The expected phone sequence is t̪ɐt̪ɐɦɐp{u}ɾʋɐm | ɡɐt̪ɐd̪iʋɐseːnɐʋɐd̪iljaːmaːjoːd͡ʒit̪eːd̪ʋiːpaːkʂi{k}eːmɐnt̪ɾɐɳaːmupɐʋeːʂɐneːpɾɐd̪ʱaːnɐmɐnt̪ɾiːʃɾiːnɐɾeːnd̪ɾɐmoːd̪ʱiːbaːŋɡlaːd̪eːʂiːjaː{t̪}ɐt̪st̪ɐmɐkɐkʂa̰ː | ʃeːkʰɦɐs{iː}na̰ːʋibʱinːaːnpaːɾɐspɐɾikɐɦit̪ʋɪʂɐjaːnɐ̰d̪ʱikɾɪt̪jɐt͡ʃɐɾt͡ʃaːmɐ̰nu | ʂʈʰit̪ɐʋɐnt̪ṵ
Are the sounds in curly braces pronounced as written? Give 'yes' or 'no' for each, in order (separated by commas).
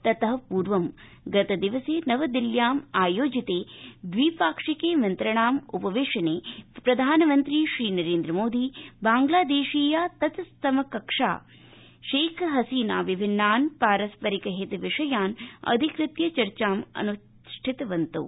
no, yes, yes, yes